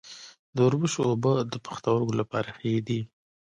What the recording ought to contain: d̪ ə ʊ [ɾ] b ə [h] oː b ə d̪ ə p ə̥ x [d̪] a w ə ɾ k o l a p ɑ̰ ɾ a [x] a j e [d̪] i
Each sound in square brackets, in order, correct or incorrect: correct, incorrect, incorrect, correct, correct

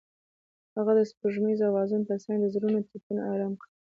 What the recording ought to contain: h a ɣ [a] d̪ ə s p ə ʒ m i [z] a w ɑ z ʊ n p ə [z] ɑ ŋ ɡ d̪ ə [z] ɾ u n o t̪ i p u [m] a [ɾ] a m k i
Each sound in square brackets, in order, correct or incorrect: correct, correct, incorrect, correct, incorrect, correct

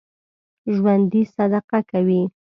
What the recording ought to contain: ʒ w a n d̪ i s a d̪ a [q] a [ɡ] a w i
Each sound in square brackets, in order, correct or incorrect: correct, incorrect

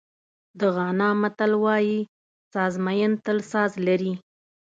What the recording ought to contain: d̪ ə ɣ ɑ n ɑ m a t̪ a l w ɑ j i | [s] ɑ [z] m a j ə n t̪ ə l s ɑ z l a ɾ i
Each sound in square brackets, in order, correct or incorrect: correct, correct

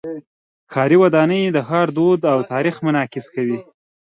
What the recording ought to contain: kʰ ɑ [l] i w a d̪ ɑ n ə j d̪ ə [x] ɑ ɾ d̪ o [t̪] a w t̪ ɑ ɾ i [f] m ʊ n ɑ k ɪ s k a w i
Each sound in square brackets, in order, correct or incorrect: incorrect, correct, incorrect, incorrect

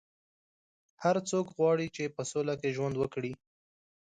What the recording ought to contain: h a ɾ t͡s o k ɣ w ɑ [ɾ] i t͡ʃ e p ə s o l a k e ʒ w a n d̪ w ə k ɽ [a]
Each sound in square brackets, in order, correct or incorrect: incorrect, incorrect

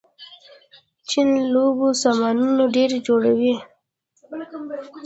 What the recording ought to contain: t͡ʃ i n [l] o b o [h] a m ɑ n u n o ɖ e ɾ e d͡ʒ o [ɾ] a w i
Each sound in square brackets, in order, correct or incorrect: correct, incorrect, incorrect

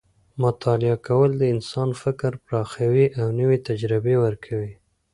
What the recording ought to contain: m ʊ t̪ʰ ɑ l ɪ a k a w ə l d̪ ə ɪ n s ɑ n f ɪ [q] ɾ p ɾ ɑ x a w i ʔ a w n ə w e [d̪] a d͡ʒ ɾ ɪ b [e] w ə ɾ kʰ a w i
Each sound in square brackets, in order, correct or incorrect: incorrect, incorrect, correct

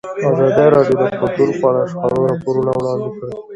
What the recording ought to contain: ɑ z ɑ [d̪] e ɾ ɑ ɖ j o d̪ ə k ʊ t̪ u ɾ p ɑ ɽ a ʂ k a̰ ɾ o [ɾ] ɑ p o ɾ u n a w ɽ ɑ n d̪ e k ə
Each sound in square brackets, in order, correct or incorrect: correct, correct

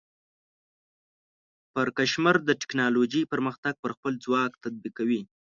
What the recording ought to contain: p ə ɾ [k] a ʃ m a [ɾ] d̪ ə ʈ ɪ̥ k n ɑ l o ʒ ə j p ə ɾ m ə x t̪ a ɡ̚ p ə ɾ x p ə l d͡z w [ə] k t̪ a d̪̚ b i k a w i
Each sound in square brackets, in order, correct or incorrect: correct, correct, incorrect

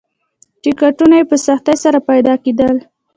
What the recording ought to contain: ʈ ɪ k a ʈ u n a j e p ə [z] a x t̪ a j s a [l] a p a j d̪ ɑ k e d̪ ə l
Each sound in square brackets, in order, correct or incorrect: incorrect, incorrect

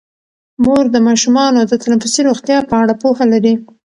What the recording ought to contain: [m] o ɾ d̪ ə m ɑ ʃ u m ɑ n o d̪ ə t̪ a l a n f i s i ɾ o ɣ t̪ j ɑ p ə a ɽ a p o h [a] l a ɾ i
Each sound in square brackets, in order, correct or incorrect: correct, correct

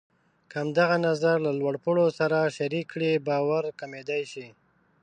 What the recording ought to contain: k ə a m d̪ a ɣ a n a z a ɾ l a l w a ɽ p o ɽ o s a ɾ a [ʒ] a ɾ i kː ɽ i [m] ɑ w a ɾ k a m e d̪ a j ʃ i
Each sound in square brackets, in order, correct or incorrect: incorrect, incorrect

